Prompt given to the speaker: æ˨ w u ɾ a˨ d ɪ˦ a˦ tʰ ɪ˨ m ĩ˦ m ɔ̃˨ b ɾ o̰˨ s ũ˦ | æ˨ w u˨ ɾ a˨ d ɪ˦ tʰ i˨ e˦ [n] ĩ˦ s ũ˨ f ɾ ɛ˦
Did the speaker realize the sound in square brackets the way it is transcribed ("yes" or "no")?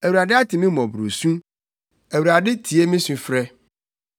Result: no